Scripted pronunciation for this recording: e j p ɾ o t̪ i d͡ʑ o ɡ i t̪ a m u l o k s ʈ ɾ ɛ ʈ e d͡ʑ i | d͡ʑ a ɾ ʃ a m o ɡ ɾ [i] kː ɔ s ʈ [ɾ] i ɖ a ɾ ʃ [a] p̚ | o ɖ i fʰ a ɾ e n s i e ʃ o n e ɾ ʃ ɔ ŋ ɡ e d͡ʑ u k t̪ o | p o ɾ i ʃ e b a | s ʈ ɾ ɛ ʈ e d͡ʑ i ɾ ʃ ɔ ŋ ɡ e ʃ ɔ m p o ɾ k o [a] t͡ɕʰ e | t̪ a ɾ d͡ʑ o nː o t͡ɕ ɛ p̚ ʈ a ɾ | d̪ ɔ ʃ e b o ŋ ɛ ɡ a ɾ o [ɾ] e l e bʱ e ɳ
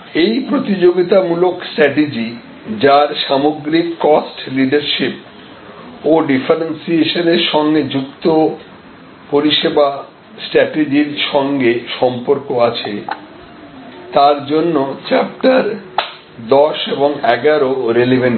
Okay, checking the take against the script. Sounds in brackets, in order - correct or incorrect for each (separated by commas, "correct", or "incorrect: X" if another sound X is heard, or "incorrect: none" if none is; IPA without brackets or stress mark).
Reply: correct, incorrect: l, incorrect: i, correct, correct